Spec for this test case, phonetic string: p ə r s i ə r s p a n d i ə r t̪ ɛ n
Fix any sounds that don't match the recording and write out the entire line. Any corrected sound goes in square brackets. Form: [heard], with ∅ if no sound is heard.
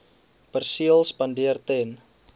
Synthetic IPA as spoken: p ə r s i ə [l] s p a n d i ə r t̪ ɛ n